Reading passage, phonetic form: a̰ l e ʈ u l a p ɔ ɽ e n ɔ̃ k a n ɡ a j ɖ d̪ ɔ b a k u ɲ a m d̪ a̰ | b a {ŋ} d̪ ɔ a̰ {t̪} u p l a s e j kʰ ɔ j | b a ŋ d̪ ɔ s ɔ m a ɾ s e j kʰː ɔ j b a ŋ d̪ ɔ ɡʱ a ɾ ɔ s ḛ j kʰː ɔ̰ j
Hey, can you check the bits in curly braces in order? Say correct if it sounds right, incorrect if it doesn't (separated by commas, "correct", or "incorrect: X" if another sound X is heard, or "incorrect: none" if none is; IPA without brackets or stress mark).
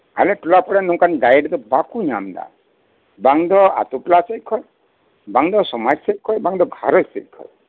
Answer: correct, correct